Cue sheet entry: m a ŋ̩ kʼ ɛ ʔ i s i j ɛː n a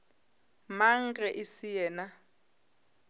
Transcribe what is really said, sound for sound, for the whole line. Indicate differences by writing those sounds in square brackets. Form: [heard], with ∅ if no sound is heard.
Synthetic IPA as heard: m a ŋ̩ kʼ ɛ ʔ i s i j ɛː n a